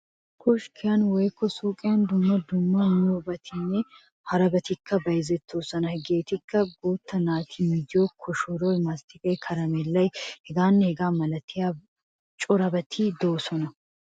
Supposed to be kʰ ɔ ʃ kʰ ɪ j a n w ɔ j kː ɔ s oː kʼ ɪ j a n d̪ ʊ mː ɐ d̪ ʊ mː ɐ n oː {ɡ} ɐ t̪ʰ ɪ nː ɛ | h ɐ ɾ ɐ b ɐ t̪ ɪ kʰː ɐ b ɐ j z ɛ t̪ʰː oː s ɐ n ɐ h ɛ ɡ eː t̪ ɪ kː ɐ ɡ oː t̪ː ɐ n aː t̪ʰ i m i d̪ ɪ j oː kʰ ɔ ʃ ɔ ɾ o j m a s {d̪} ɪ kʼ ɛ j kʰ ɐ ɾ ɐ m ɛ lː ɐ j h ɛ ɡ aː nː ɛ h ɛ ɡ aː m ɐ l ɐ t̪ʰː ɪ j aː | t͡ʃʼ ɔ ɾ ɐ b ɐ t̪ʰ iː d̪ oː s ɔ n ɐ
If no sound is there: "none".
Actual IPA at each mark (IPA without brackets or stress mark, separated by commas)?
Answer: b, t̪